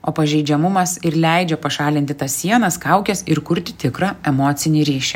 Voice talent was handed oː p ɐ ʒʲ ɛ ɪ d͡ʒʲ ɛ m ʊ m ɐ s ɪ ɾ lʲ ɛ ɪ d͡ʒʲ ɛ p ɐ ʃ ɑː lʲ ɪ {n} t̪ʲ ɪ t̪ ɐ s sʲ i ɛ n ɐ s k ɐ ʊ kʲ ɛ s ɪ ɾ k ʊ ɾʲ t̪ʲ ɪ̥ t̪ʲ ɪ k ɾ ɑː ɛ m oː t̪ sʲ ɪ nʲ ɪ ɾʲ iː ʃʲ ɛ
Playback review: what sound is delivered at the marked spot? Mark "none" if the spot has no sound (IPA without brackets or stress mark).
n